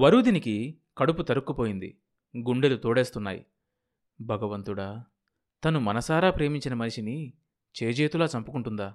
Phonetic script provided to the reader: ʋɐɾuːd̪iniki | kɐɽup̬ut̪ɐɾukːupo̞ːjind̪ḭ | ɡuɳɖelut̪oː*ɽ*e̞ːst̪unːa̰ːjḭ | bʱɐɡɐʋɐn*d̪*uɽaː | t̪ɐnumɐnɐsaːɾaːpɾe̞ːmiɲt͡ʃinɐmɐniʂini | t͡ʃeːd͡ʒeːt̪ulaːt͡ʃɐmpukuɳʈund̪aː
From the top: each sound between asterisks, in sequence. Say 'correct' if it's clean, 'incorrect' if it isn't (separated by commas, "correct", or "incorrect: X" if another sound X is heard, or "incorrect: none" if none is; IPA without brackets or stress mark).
correct, incorrect: t̪